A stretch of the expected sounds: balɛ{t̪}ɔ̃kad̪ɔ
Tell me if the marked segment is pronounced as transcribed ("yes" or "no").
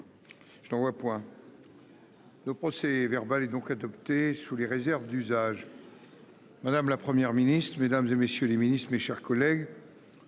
no